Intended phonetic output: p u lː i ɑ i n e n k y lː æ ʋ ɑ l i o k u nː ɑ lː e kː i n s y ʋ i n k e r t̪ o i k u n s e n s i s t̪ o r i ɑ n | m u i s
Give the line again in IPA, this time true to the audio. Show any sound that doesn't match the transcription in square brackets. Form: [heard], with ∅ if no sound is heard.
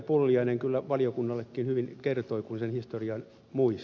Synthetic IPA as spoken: p u lː i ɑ i n e [ŋ] k y lː æ ʋ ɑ l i o k u nː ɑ lː e kː i n [h] y ʋ i n k e r t̪ o i k u n s e n [h] i s t̪ o r i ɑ n | m u i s